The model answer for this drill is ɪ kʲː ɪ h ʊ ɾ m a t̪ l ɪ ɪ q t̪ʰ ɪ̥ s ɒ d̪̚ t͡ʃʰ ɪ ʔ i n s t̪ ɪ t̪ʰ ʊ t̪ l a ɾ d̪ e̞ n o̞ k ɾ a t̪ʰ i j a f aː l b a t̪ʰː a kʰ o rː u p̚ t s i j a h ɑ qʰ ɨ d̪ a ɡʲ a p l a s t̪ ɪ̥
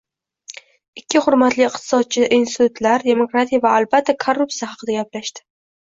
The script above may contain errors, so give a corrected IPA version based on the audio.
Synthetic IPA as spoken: ɪ kʲː ɪ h ʊ ɾ m a t̪ l ɪ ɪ q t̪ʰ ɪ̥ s ɒ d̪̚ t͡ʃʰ ɪ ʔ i n s t̪ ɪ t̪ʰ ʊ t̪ l a ɾ d̪ e̞ m o̞ k ɾ a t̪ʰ i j a v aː l b a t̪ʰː a kʰ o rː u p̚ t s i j a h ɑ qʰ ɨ d̪ a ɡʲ a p l a ʃ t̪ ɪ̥